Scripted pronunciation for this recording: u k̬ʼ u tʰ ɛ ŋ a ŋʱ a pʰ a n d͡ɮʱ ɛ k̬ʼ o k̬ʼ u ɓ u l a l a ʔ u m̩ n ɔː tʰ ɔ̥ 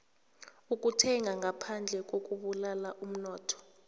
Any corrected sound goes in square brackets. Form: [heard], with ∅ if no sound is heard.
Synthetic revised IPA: u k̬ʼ u tʰ ɛ ŋ a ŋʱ a pʰ a n d͡ɮʱ ɛ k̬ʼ o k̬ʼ u ɓ u l a l a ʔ u m̩ n ɔː tʰ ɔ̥